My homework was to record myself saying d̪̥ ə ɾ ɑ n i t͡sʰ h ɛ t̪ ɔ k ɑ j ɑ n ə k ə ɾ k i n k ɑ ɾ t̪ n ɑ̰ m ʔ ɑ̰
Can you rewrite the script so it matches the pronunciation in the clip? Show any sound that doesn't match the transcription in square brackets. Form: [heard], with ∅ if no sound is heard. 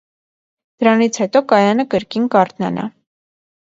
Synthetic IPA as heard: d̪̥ ə ɾ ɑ n i t͡sʰ h ɛ t̪ ɔ k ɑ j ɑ n ə k ə ɾ k i n k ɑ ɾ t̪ n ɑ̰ [n] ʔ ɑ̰